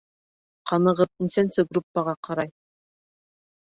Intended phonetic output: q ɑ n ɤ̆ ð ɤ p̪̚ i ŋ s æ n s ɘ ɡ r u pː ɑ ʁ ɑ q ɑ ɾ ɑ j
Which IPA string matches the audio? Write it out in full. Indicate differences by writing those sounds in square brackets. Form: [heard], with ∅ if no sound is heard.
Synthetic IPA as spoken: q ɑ n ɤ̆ [ʁ] ɤ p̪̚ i [n] s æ n s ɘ ɡ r u pː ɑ ʁ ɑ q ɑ ɾ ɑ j